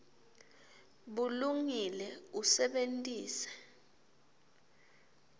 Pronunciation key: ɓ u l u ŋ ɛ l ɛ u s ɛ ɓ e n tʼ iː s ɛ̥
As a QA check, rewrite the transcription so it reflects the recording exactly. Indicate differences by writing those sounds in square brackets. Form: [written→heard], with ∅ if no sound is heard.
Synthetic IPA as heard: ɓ u l u ŋ [ɛ→i] l ɛ u s ɛ ɓ e n tʼ iː s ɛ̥